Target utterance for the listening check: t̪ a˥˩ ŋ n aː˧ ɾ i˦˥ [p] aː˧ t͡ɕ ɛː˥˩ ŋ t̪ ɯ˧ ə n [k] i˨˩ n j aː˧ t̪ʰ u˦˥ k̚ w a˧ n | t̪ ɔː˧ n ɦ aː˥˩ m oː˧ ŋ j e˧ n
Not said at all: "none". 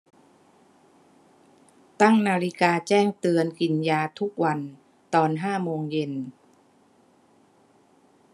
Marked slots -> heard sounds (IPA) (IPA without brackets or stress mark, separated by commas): k, k